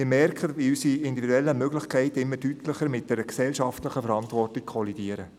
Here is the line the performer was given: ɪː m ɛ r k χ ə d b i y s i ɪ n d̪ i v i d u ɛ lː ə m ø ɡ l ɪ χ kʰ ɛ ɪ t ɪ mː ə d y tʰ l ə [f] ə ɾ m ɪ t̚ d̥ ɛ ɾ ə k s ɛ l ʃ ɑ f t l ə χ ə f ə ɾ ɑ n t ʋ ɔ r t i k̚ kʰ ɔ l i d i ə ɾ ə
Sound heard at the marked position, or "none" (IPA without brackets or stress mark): χ